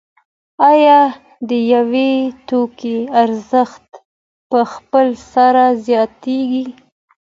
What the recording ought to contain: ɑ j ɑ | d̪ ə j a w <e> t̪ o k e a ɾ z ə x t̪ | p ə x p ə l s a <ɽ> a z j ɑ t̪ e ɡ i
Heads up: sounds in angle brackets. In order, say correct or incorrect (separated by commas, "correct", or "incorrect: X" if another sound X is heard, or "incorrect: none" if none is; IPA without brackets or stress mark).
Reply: correct, incorrect: ɾ